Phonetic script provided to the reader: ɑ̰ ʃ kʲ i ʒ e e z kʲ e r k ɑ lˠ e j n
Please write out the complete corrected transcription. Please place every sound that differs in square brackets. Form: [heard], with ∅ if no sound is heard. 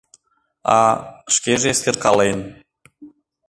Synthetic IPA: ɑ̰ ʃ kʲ [e] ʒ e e [s] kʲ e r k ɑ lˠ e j n